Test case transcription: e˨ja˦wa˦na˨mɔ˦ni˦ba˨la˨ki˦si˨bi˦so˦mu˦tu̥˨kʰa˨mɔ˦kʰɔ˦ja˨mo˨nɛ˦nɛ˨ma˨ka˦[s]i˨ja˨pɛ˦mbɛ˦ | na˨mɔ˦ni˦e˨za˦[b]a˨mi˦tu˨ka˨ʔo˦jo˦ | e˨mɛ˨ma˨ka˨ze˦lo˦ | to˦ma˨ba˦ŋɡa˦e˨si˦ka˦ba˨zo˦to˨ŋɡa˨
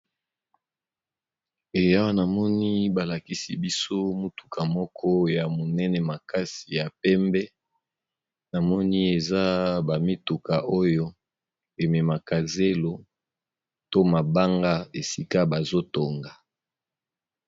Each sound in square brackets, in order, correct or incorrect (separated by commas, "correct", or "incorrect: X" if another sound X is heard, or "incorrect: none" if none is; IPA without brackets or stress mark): correct, correct